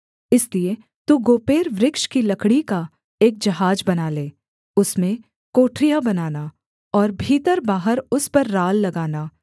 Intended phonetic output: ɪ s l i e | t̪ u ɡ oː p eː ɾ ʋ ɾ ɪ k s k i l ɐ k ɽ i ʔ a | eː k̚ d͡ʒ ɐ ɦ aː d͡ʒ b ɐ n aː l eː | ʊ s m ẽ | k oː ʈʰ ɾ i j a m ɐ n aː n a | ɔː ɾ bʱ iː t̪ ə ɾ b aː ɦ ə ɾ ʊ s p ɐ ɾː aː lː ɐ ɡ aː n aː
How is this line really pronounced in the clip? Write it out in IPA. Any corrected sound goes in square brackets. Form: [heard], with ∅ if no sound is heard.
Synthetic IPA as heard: ɪ s l i e | t̪ u ɡ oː p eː ɾ ʋ ɾ ɪ k [ʃ] k i l ɐ k ɽ i [k] a | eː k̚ d͡ʒ ɐ ɦ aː d͡ʒ b ɐ n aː l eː | ʊ s m ẽ | k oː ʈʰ ɾ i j a [b] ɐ n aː n a | ɔː ɾ bʱ iː t̪ ə ɾ b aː ɦ ə ɾ ʊ s p ɐ ɾː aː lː ɐ ɡ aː n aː

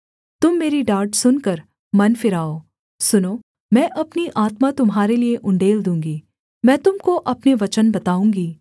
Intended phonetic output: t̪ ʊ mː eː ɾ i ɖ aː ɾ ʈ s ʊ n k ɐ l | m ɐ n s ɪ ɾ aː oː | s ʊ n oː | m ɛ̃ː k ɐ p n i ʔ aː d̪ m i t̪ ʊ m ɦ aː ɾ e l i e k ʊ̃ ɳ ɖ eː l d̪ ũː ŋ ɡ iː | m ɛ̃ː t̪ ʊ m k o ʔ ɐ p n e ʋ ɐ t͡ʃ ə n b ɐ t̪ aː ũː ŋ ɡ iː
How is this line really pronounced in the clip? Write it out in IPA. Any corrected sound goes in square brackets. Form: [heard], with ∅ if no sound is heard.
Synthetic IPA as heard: t̪ ʊ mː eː ɾ i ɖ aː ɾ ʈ s ʊ n k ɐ [ɾ] | m ɐ n [f] ɪ ɾ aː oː | s ʊ n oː | m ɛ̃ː [ʔ] ɐ p n i ʔ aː [t̪] m [a] t̪ ʊ m ɦ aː ɾ e l i e [ʔ] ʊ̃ ɳ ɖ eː l d̪ ũː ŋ ɡ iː | m ɛ̃ː t̪ ʊ m k o ʔ ɐ p n e ʋ ɐ t͡ʃ ə n b ɐ t̪ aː ũː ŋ ɡ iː

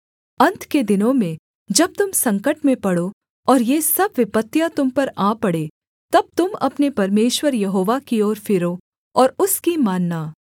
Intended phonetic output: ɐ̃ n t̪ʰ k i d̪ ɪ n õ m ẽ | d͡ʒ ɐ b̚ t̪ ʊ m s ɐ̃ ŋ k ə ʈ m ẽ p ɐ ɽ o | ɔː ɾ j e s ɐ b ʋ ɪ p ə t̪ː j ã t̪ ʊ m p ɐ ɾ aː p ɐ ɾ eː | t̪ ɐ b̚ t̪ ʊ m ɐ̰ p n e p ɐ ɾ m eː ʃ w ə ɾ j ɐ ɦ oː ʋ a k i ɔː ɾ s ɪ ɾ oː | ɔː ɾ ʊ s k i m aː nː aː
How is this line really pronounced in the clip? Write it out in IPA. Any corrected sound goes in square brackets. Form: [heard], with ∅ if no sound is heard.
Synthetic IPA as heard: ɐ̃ n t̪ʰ k [e] d̪ ɪ n õ m ẽ | d͡ʒ ɐ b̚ t̪ ʊ m s ɐ̃ ŋ k ə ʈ m ẽ p ɐ ɽ o | ɔː ɾ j e s ɐ b ʋ ɪ p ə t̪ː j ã t̪ ʊ m p ɐ ɾ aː p ɐ [ɽ] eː | t̪ ɐ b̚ t̪ ʊ m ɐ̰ p n e p ɐ ɾ m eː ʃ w ə ɾ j ɐ ɦ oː ʋ a k i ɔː ɾ [f] ɪ ɾ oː | ɔː ɾ ʊ s k i m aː nː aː

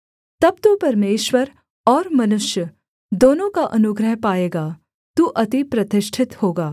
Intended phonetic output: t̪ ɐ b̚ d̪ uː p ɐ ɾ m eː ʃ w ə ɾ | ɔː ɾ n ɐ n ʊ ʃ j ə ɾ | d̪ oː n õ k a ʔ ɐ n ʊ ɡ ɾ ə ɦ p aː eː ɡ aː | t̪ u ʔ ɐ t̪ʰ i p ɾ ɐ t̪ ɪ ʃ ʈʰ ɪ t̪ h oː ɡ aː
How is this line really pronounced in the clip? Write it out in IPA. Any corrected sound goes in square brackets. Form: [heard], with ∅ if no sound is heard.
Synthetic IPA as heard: t̪ ɐ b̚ [t̪] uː p ɐ ɾ m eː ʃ w ə ɾ | ɔː ɾ [m] ɐ n ʊ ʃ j ə [∅] | d̪ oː n õ k a ʔ ɐ n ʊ ɡ ɾ ə ɦ p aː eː ɡ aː | t̪ u ʔ ɐ [t̪] i p ɾ ɐ t̪ ɪ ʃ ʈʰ ɪ t̪ h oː ɡ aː

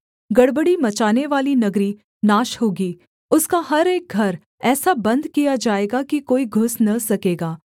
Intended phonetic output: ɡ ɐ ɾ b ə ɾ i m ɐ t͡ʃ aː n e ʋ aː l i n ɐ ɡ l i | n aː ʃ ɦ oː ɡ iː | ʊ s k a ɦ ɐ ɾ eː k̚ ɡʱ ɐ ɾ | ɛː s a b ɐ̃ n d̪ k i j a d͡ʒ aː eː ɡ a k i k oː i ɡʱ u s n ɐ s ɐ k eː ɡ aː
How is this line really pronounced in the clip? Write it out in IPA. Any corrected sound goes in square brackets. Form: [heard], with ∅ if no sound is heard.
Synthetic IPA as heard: ɡ ɐ [ɽ] b ə [ɽ] i m ɐ t͡ʃ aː n e ʋ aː l i n ɐ ɡ [ɾ] i | n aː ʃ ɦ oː ɡ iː | ʊ s k a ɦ ɐ ɾ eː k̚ ɡʱ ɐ ɾ | ɛː s a b ɐ̃ n d̪ k i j a d͡ʒ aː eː ɡ a k i k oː i ɡʱ [ʊ] s n ɐ s ɐ k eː ɡ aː

